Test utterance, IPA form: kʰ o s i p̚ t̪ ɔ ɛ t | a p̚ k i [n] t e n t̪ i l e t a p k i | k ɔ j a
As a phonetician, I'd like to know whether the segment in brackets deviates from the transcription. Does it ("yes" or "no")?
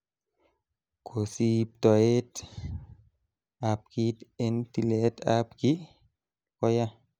yes